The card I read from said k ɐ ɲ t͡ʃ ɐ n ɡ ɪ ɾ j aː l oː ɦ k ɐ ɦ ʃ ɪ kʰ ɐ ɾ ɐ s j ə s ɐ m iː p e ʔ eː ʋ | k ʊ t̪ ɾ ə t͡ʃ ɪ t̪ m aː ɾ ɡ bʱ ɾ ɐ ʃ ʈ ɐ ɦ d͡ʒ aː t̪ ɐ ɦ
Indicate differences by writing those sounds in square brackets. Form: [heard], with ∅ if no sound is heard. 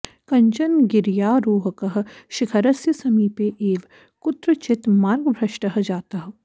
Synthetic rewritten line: k ɐ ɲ t͡ʃ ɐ n ɡ ɪ ɾ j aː [ɾ] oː ɦ k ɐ ɦ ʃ ɪ kʰ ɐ ɾ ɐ s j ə s ɐ m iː p e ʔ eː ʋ | k ʊ t̪ ɾ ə t͡ʃ ɪ t̪ m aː ɾ ɡ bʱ ɾ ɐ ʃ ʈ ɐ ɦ d͡ʒ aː t̪ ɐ ɦ